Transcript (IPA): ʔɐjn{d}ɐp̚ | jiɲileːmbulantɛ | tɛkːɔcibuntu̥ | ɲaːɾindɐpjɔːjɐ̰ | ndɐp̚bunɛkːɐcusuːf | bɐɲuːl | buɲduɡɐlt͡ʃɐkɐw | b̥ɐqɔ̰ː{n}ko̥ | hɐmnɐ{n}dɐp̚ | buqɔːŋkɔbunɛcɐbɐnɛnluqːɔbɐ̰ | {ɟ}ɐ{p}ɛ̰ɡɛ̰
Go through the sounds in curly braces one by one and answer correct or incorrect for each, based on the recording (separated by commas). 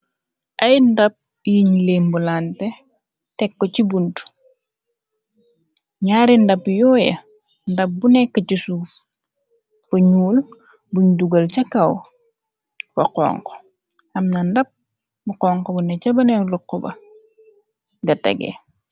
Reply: correct, incorrect, correct, incorrect, incorrect